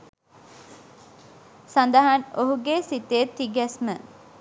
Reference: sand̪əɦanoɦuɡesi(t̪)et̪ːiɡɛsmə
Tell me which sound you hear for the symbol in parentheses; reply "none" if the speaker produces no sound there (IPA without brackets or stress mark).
t̪